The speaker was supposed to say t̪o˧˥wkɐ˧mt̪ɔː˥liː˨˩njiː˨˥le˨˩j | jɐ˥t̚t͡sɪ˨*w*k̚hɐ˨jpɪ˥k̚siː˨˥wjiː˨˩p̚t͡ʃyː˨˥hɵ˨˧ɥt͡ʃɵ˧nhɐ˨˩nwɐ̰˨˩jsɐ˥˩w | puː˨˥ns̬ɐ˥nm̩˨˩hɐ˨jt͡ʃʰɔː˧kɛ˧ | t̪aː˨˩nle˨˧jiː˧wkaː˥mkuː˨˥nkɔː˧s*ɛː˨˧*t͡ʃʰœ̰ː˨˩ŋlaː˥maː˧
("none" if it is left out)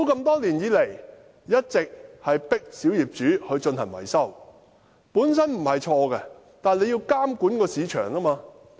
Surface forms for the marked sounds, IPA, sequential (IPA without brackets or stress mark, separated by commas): none, iː˨˧